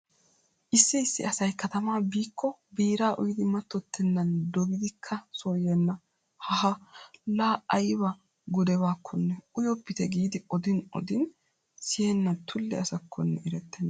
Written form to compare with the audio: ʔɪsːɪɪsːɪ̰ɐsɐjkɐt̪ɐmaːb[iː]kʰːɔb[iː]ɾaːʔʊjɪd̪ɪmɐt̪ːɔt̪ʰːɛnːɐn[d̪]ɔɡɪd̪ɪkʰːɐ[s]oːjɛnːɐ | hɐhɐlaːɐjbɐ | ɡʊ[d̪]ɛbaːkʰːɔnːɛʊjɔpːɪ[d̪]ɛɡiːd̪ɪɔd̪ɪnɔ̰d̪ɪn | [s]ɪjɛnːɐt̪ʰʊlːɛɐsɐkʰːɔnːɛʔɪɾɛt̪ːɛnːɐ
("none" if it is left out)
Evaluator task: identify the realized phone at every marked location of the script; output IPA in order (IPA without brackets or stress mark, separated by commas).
iː, iː, d̪, s, d̪, t̪, s